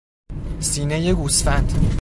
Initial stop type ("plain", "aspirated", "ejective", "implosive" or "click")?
plain